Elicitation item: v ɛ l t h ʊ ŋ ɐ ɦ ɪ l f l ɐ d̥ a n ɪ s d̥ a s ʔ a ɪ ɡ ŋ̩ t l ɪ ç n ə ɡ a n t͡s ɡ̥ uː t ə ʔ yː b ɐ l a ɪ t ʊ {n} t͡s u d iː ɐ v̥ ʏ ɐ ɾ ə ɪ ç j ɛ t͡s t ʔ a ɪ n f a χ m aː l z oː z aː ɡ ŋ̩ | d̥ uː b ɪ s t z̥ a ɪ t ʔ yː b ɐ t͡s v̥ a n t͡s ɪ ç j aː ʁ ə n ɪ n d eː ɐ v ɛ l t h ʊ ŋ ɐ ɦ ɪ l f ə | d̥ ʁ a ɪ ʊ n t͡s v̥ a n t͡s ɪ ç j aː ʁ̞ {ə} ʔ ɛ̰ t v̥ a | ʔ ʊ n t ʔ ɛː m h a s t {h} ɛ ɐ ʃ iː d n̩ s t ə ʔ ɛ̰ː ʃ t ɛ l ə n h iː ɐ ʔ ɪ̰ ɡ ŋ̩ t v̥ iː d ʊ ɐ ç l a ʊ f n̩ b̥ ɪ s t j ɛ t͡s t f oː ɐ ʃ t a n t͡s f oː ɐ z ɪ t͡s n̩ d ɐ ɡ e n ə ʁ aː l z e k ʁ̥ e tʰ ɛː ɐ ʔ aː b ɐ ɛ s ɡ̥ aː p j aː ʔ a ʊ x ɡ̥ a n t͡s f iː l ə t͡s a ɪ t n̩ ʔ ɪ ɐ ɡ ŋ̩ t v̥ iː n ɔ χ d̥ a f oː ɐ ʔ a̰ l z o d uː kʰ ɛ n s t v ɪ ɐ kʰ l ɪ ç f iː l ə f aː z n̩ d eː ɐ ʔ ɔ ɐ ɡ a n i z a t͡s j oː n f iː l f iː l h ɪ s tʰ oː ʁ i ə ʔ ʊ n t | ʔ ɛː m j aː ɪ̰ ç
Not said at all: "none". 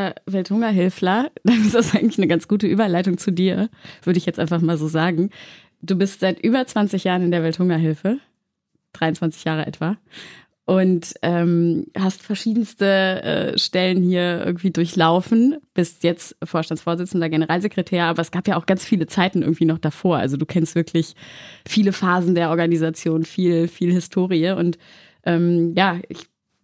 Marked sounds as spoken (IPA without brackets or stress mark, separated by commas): ŋ, ə, f